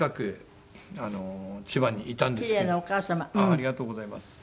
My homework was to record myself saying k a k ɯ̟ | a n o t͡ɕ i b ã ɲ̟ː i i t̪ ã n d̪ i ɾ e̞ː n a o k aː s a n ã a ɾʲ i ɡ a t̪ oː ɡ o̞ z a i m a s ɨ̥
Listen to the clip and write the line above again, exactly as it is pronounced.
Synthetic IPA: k a k ɯ̟ | a n o t͡ɕ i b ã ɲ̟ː i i t̪ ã n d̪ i ɾ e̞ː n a o k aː s a m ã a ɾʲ i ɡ a t̪ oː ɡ o̞ z a i m a s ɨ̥

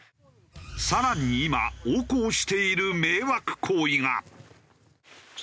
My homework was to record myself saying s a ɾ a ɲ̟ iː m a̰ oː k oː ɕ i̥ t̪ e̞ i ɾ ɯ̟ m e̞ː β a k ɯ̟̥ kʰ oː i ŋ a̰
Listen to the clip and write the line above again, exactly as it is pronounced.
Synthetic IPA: s a ɾ a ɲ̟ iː m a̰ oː k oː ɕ i̥ t̪ e̞ i ɾ ɯ̟ m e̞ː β a k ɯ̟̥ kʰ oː i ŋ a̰

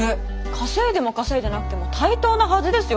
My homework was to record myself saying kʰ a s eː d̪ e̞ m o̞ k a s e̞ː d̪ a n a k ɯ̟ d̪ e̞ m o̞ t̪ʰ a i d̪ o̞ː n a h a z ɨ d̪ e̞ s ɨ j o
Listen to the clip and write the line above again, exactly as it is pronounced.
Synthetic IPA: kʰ a s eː d̪ e̞ m o̞ k a s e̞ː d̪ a n a k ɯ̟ t̪ e̞ m o̞ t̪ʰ a i t̪ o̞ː n a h a z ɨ d̪ e̞ s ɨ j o

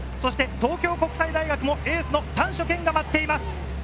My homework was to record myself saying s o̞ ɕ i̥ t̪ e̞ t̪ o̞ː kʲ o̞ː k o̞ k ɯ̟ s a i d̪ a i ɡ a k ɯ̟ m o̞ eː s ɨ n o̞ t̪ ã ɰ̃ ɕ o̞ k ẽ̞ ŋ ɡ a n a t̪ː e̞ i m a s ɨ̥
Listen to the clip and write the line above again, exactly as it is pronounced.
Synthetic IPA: s o̞ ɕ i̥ t̪ e̞ t̪ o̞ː kʲ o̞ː k o̞ k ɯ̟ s a i d̪ a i ɡ a k ɯ̟ m o̞ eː s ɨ n o̞ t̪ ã ɰ̃ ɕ o̞ k ẽ̞ ŋ ɡ a m a t̪ː e̞ i m a s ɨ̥

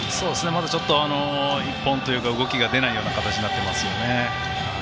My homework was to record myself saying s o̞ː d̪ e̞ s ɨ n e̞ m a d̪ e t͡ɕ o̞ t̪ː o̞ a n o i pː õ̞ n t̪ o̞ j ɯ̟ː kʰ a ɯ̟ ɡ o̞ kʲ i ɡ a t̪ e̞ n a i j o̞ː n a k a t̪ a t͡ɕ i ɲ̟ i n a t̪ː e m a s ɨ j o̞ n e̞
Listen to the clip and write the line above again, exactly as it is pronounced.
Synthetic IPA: s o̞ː d̪ e̞ s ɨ n e̞ m a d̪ a t͡ɕ o̞ t̪ː o̞ a n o i pː õ̞ n t̪ o̞ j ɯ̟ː k a ɯ̟ ɡ o̞ kʲ i ɡ a d̪ e̞ n a i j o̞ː n a k a t̪ a t͡ɕ i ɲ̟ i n a t̪ː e m a s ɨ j o̞ n e̞

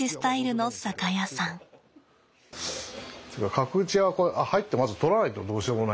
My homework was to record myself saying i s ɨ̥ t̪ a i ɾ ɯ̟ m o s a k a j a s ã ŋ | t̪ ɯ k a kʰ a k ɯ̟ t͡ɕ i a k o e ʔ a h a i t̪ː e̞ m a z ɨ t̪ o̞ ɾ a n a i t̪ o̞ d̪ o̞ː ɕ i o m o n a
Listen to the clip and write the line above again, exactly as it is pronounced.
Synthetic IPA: i s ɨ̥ t̪ a i ɾ ɯ̟ n o s a k a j a s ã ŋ | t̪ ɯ k a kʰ a k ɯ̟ t͡ɕ i a k o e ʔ a h a i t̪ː e̞ m a z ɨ t̪ o̞ ɾ a n a i t̪ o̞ d̪ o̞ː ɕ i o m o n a

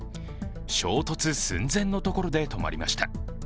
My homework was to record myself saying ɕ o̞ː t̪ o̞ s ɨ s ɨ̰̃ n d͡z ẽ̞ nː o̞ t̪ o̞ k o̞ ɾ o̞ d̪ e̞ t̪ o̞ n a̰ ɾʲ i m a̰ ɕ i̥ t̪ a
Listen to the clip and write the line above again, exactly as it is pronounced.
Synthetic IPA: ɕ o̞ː t̪ o̞ t͡s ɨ s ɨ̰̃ n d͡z ẽ̞ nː o̞ t̪ o̞ k o̞ ɾ o̞ d̪ e̞ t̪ o̞ m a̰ ɾʲ i m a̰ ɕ i̥ t̪ a

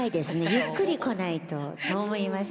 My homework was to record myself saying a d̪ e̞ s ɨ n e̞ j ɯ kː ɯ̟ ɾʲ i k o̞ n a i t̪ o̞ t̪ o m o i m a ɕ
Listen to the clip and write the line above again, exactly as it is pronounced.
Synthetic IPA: i d̪ e̞ s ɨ n e̞ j ɯ kː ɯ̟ ɾʲ i k o̞ n a i t̪ o̞ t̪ o m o i m a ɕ

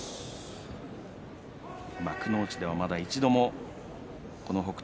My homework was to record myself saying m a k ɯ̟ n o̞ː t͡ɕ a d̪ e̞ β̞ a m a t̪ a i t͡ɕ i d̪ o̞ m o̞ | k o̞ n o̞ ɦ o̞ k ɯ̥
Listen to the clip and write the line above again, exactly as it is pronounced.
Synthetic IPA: m a k ɯ̟ n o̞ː t͡ɕ i d̪ e̞ β̞ a m a d̪ a i t͡ɕ i d̪ o̞ m o̞ | k o̞ n o̞ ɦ o̞ k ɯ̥

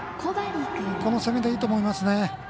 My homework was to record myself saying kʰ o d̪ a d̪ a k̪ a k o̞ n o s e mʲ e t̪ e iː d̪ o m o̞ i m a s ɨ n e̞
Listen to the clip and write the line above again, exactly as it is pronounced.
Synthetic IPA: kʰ o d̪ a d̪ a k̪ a k o̞ n o s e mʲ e d̪ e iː t̪ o m o̞ i m a s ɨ n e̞

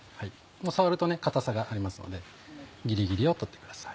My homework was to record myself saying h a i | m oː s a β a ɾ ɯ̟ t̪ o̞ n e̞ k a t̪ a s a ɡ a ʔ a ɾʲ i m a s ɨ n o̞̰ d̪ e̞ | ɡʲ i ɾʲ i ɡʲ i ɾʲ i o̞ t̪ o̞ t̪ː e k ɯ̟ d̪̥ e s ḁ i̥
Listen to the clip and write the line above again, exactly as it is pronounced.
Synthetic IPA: h a i | m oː s a β a ɾ ɯ̟ t̪ o̞ n e̞ k a t̪ a s a ɡ a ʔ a ɾʲ i m a s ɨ n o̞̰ d̪ e̞ | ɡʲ i ɾʲ i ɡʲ i ɾʲ i o̞ t̪ o̞ t̪ː e k ɯ̟ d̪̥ a s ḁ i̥

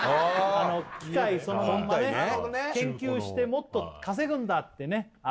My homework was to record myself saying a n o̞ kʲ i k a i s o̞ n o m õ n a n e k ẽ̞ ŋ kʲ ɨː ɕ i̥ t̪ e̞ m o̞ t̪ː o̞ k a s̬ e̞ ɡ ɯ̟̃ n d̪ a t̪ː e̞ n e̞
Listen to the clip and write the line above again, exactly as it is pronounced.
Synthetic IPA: a n o̞ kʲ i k a i s o̞ n o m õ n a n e k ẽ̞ ŋ kʲ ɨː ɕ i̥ t̪ e̞ m o̞ t̪ː o̞ k a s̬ e̞ ɡ ɯ̟̃ n d̪ a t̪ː e̞ n e̞

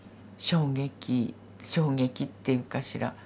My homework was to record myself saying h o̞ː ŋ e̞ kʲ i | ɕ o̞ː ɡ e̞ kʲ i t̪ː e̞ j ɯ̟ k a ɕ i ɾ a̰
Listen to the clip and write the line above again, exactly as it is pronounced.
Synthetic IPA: ɕ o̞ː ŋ e̞ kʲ i | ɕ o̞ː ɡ e̞ kʲ i t̪ː e̞ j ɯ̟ k a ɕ i ɾ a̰

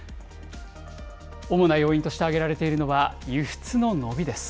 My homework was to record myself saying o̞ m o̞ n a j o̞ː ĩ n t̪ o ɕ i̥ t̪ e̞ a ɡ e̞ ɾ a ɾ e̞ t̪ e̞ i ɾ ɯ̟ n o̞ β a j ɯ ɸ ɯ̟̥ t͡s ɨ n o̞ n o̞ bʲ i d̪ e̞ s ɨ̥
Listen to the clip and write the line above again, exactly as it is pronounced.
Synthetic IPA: o̞ m o̞ n a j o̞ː ĩ n t̪ o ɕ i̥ t̪ e̞ a ɡ e̞ ɾ a ɾ e̞ t̪ e̞ i ɾ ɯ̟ n o̞ β a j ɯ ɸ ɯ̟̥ t͡s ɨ n o̞ n o̞ bʲ i d̪ e̞ s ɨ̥

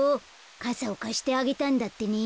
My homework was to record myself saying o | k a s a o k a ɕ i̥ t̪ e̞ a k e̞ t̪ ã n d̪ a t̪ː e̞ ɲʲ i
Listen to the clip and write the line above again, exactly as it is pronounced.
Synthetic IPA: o | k a s a o k a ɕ i̥ t̪ e̞ a ɡ e̞ t̪ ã n d̪ a t̪ː e̞ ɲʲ i

